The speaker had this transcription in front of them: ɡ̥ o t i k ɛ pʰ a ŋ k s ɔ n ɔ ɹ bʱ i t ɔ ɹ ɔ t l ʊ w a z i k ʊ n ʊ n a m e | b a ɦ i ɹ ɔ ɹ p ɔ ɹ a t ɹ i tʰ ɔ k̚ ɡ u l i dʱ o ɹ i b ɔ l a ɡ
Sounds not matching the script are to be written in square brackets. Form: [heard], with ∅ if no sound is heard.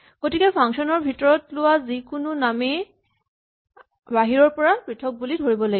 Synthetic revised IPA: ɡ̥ o t i k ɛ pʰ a ŋ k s ɔ n ɔ ɹ bʱ i t ɔ ɹ ɔ t l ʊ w a z i k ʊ n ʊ n a m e | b a ɦ i ɹ ɔ ɹ p ɔ ɹ a [p] ɹ i tʰ ɔ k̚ [b] u l i dʱ o ɹ i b ɔ l a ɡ